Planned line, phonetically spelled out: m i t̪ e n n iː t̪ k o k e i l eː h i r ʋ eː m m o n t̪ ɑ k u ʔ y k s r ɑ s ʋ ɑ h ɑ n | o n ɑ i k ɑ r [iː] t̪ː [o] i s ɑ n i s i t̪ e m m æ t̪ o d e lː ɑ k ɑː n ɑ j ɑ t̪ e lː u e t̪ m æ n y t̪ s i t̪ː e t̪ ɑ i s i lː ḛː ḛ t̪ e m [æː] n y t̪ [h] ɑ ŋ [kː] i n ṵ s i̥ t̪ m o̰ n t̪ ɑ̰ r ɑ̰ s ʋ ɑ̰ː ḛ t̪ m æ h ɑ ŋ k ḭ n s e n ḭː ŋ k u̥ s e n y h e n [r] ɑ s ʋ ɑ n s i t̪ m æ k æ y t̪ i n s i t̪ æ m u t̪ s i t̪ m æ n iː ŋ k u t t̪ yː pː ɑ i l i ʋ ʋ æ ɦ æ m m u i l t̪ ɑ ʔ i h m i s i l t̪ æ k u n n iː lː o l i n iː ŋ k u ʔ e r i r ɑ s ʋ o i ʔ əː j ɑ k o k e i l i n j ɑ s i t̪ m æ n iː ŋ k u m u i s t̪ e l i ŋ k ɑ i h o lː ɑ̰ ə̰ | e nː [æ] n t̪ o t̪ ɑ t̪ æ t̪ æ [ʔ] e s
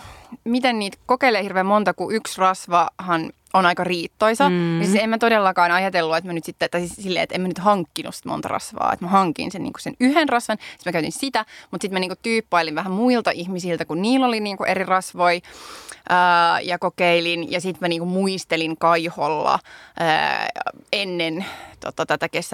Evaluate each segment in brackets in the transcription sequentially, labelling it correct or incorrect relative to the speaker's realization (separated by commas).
correct, correct, incorrect, correct, correct, correct, incorrect, incorrect